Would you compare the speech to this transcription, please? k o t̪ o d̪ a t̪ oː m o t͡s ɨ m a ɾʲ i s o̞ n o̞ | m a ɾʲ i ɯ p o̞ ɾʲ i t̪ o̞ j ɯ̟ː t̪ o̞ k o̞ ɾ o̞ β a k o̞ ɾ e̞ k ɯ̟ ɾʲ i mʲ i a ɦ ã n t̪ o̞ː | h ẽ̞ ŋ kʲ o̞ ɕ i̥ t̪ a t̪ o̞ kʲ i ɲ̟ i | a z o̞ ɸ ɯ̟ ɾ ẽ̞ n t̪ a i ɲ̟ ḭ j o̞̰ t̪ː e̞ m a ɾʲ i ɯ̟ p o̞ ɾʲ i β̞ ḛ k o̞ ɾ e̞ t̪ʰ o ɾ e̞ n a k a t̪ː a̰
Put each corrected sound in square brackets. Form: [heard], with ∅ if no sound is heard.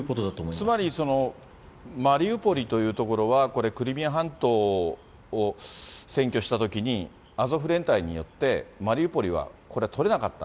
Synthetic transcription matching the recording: k o t̪ o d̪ a t̪ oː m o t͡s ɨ m a ɾʲ i s o̞ n o̞ | m a ɾʲ i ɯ p o̞ ɾʲ i t̪ o̞ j ɯ̟ː t̪ o̞ k o̞ ɾ o̞ β a k o̞ ɾ e̞ k ɯ̟ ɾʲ i mʲ i a ɦ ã n t̪ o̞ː | [s] ẽ̞ ŋ kʲ o̞ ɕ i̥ t̪ a t̪ o̞ kʲ i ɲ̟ i | a z o̞ ɸ ɯ̟ ɾ ẽ̞ n t̪ a i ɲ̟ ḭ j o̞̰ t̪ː e̞ m a ɾʲ i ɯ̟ p o̞ ɾʲ i β̞ [a̰] k o̞ ɾ e̞ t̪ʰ o ɾ e̞ n a k a t̪ː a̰